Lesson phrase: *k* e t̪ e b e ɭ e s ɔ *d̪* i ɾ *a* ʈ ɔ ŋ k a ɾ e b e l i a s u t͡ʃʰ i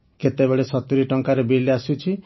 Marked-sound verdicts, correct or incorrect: correct, incorrect: t̪, incorrect: i

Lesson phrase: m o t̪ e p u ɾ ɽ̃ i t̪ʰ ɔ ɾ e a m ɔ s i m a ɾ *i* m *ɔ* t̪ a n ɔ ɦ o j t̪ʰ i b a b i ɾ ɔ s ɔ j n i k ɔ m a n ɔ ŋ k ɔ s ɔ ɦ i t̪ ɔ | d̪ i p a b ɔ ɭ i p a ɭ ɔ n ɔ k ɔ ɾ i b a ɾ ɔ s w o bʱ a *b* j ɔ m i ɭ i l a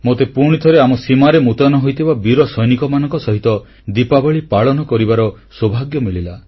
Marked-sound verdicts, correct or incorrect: incorrect: e, incorrect: u, incorrect: ɡ

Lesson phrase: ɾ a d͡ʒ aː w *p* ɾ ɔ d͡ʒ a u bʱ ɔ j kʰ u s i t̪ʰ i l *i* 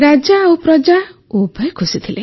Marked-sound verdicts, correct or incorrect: correct, incorrect: e

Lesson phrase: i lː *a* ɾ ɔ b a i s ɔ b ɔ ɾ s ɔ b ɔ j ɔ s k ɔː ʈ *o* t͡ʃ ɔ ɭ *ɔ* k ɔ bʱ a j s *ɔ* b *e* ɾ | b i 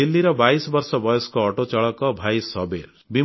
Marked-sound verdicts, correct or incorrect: incorrect: i, correct, correct, correct, correct

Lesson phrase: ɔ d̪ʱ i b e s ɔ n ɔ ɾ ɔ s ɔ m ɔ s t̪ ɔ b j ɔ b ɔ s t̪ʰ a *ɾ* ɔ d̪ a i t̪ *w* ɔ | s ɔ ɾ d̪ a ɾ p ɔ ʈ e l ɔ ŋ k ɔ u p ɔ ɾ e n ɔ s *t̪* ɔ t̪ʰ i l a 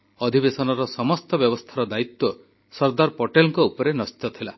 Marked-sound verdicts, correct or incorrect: correct, correct, correct

